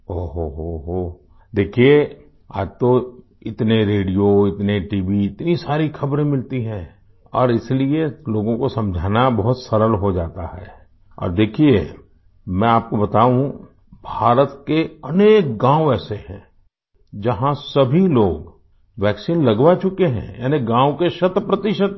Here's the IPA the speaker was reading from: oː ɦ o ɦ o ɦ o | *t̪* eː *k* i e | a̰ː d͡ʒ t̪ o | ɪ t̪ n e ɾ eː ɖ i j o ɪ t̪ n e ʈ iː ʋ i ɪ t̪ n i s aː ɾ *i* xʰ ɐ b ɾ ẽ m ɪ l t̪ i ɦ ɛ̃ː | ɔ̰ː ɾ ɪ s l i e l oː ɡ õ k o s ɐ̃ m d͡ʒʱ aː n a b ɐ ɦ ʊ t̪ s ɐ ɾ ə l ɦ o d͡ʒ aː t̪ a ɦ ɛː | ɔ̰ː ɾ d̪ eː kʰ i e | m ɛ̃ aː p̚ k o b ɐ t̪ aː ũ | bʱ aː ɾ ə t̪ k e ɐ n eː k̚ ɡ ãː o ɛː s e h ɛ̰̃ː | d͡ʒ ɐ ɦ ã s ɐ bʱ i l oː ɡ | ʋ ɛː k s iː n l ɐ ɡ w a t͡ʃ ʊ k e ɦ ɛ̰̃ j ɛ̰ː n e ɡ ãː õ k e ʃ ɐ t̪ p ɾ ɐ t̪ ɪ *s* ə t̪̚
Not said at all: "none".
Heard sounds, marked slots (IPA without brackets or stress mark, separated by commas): d̪, kʰ, i, ʃ